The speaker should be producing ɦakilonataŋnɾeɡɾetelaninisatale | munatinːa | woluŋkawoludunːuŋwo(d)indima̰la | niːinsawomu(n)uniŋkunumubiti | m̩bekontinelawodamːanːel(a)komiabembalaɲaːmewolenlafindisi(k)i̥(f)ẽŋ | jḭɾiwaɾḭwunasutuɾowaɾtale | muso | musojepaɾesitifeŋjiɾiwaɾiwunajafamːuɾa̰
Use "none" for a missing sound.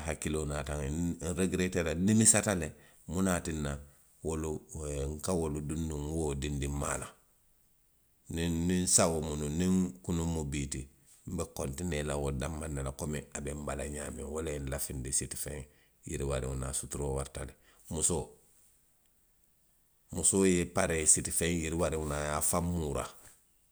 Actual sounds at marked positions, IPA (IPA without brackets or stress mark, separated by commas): d, n, a, t, f